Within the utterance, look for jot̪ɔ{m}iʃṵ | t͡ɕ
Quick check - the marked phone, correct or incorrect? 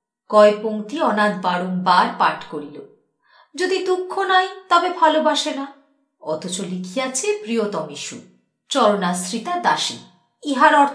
correct